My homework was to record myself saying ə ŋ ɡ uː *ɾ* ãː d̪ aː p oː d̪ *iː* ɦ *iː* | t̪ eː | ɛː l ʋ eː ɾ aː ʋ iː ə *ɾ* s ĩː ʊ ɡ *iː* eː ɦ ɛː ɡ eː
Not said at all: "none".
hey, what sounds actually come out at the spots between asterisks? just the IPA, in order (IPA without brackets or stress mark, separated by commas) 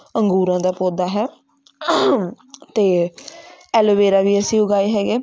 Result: ɾ, aː, ɛː, none, aː